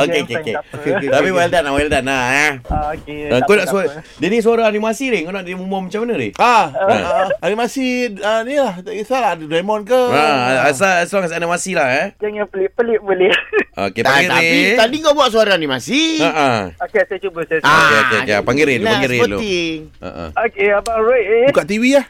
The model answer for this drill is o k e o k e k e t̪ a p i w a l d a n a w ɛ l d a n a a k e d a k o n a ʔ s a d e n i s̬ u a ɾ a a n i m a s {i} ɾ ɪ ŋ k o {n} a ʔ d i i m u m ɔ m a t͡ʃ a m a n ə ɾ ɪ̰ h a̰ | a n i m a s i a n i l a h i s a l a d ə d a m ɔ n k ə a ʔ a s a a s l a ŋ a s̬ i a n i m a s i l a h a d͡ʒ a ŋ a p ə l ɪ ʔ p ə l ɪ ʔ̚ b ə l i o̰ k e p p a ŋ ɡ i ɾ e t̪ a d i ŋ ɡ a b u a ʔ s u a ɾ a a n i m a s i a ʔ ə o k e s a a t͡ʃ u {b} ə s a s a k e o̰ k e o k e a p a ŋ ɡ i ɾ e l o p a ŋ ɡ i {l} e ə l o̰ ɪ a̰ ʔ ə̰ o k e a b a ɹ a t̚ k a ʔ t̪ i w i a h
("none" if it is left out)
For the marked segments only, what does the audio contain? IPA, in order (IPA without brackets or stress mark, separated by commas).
i, n, b, ɾ